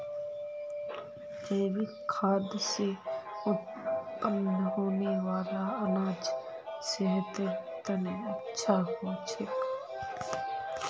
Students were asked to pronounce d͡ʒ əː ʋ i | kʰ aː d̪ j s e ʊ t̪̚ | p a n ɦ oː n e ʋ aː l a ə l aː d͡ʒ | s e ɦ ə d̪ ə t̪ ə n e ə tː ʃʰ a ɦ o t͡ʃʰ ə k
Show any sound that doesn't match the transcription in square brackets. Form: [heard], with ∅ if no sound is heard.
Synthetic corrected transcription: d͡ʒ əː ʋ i | kʰ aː d̪ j s e ʊ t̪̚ | p [ə] n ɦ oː n e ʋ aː l a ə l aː d͡ʒ | s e ɦ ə [t̪] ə t̪ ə n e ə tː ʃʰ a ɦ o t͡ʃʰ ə k